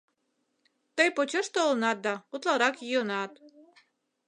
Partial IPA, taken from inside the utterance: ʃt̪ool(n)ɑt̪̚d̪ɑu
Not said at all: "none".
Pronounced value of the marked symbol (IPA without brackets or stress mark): n